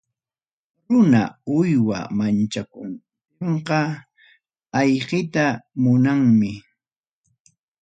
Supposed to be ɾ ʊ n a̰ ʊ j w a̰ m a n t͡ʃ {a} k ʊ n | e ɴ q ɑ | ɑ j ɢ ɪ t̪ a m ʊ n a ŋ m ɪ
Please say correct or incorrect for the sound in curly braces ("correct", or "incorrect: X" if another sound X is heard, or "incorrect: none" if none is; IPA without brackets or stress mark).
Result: correct